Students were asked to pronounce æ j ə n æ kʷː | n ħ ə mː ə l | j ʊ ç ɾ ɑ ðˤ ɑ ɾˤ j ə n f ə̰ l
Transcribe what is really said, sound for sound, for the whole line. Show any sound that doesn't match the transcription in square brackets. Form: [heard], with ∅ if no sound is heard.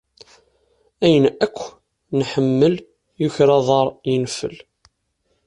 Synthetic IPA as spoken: æ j ə n æ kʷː | n ħ ə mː ə l | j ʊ ç ɾ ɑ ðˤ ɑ ɾˤ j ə n f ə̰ l